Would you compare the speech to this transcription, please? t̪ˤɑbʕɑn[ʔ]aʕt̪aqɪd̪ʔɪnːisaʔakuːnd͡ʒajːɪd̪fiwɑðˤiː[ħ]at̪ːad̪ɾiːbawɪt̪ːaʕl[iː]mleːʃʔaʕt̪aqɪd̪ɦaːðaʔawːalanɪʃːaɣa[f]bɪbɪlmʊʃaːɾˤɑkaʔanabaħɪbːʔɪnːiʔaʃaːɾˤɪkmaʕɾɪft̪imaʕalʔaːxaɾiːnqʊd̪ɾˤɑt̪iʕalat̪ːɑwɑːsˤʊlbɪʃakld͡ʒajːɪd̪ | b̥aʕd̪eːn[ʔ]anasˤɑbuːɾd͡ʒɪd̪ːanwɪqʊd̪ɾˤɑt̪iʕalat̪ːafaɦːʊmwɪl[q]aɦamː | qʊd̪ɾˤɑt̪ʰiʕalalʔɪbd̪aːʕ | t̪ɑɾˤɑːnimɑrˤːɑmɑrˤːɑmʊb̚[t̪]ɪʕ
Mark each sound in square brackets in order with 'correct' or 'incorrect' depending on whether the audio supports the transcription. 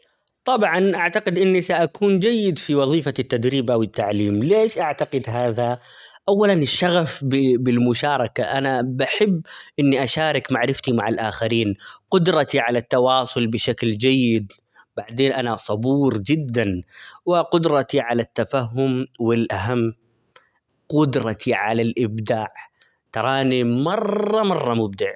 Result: correct, incorrect: f, correct, correct, correct, incorrect: ʔ, incorrect: d̪

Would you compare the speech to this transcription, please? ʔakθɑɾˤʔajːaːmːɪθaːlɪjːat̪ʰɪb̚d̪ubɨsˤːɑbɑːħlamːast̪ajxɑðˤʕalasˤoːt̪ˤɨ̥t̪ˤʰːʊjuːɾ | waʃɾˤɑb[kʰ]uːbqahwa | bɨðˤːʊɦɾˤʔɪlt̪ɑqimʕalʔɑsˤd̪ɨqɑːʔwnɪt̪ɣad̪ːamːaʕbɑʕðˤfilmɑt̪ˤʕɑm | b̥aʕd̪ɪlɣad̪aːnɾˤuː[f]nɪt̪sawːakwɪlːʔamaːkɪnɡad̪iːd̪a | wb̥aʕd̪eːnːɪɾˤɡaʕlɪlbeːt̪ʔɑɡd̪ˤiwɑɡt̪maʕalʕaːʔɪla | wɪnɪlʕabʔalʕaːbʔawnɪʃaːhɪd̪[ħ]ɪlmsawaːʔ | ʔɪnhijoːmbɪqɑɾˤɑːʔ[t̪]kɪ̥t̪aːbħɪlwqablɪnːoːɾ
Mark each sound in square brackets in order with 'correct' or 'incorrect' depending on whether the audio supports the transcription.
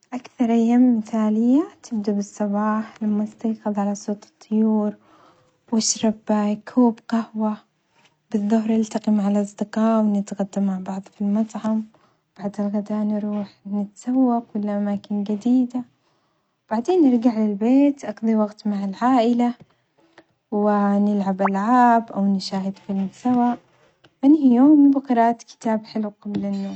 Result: correct, incorrect: ħ, incorrect: f, correct

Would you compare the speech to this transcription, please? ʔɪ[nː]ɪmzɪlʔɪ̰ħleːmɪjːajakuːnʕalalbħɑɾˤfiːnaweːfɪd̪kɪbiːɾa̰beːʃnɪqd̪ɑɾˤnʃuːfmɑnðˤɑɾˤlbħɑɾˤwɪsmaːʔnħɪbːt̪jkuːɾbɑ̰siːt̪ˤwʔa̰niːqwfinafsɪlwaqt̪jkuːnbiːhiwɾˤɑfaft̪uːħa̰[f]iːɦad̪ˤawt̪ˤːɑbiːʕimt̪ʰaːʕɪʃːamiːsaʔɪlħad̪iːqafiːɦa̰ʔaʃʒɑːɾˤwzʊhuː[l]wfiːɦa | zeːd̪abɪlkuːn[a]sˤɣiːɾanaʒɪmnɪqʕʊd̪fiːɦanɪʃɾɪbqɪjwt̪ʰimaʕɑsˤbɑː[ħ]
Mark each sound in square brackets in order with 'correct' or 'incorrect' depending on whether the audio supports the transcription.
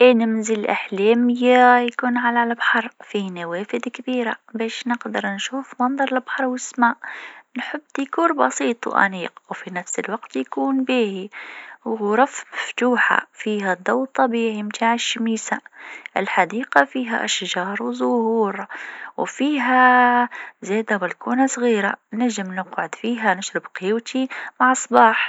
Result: incorrect: n, correct, incorrect: ɾ, correct, correct

